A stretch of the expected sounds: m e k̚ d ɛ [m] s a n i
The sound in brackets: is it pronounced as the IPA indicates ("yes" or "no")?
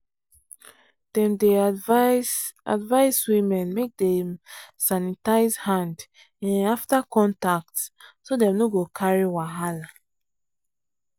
yes